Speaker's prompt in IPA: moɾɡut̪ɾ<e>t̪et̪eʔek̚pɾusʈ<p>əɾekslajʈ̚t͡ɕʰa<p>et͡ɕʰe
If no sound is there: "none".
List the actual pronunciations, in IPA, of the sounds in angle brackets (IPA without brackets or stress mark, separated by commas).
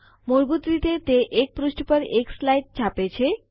i, p, p